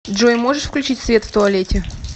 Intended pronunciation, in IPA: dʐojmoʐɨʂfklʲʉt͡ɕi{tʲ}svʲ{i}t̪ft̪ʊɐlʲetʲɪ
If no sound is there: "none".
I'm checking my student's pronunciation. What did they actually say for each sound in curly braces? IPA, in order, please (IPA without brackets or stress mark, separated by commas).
tʲ, e